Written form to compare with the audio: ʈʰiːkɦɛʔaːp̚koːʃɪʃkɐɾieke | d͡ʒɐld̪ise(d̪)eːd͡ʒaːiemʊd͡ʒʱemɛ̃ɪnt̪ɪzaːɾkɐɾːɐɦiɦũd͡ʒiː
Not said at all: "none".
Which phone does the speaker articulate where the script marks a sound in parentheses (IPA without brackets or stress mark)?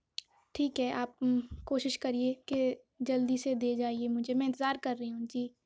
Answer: d̪